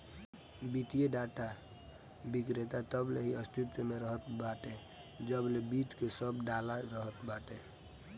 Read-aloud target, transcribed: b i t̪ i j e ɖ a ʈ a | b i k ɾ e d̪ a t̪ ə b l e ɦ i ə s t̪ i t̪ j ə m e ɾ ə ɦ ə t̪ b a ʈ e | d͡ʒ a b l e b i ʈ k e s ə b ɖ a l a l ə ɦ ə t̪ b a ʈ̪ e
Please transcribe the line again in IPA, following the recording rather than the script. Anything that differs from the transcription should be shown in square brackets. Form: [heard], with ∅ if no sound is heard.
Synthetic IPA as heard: b i t̪ i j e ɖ a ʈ a | b i k ɾ e [t̪] a t̪ ə b l e ɦ i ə s t̪ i t̪ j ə m e ɾ ə ɦ ə t̪ b a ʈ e | d͡ʒ [ə] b l e b i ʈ k e s ə b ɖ a l a [ɾ] ə ɦ ə t̪ b a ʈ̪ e

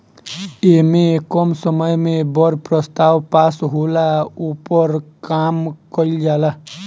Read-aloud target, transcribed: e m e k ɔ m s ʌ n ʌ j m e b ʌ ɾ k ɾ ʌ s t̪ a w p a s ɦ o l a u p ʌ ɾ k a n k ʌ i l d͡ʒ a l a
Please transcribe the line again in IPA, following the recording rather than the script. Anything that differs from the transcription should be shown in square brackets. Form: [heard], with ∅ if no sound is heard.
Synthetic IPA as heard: e m e k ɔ m s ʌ [m] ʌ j m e b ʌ ɾ [p] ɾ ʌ s t̪ a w p a s ɦ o l a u p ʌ ɾ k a [m] k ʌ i l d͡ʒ a l a

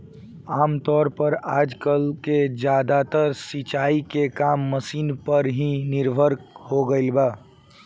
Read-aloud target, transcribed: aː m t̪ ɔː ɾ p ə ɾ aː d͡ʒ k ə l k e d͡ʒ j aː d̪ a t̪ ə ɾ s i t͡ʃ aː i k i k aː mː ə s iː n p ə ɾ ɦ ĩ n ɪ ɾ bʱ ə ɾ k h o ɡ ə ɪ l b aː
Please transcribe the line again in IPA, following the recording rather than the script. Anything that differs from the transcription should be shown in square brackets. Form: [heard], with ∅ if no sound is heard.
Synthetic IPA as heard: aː m t̪ ɔː ɾ p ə ɾ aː d͡ʒ k ə l k e d͡ʒ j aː d̪ a t̪ ə ɾ s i t͡ʃ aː i k [e] k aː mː ə s iː n p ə ɾ ɦ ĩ n ɪ ɾ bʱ ə ɾ k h o ɡ ə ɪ l b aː

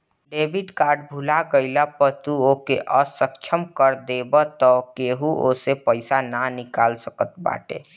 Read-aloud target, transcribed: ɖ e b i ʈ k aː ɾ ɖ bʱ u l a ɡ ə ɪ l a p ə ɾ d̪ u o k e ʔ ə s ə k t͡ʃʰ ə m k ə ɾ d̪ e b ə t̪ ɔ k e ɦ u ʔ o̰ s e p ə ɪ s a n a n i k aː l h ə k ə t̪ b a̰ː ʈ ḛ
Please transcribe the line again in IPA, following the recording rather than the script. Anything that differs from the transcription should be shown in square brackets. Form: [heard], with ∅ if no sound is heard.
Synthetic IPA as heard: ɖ e b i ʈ k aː ɾ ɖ bʱ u l a ɡ ə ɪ l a p ə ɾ [t̪] u o k e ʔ ə s ə k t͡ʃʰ ə m k ə ɾ d̪ e b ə t̪ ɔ k e ɦ u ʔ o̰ s e p ə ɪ s a n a n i k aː l [s] ə k ə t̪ b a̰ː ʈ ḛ

